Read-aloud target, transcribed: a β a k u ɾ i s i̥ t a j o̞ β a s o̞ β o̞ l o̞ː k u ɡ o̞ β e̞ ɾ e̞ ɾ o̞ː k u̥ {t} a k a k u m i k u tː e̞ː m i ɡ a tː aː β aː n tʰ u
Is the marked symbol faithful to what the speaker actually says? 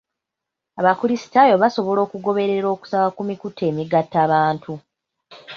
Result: no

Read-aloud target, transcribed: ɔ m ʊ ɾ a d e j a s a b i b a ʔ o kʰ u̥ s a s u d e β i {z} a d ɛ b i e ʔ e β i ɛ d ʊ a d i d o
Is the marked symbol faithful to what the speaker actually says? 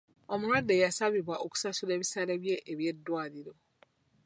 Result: no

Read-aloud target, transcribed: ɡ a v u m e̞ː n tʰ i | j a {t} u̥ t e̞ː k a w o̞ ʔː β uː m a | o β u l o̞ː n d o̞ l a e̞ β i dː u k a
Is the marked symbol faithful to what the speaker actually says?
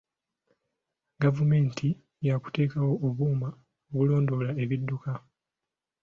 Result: no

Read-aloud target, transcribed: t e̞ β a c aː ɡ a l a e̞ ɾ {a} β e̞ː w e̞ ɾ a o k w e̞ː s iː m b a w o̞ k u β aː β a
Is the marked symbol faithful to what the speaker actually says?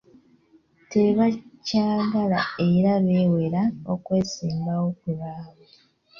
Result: yes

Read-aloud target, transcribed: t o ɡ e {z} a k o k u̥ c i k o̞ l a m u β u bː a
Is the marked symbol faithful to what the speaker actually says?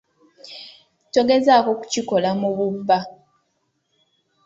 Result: yes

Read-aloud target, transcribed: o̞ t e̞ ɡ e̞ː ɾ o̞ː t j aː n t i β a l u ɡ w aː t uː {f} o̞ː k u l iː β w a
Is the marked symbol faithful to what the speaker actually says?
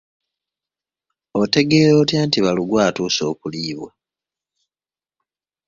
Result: no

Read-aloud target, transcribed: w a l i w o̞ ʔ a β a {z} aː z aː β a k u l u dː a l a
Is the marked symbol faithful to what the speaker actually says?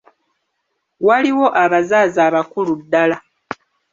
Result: yes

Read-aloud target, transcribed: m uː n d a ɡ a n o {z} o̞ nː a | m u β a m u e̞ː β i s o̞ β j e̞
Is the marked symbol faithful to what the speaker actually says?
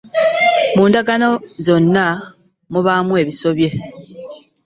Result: yes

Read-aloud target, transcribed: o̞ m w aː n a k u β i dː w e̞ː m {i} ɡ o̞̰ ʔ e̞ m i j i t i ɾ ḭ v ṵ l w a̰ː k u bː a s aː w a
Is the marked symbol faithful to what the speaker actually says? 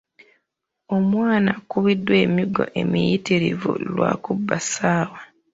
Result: yes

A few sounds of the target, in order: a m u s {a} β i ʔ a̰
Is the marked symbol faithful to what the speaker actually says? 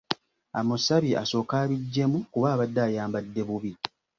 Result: yes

